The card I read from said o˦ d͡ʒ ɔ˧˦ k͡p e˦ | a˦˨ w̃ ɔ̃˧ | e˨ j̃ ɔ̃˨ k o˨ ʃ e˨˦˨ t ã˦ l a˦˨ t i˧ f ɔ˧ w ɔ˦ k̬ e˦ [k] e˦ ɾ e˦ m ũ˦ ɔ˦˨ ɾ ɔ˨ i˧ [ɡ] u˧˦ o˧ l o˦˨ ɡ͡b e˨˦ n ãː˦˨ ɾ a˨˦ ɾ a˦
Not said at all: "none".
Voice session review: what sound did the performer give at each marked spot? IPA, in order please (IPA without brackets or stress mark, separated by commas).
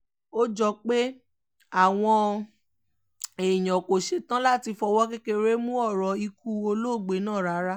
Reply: k, k